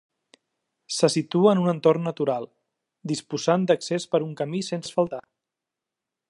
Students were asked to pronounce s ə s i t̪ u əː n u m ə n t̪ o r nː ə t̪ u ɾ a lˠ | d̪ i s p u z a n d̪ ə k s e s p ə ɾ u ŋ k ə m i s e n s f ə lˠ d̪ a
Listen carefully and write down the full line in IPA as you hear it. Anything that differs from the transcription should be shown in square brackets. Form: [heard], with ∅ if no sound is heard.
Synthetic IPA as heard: s ə s i t̪ u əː n u [n] ə n t̪ o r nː ə t̪ u ɾ a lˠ | d̪ i s p u z a n d̪ ə k s e s p ə ɾ u ŋ k ə m i s e n s f ə lˠ [t̪] a